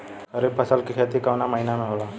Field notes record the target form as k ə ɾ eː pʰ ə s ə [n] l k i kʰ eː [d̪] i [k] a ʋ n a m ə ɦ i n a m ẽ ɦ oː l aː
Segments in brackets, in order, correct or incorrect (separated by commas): incorrect, incorrect, correct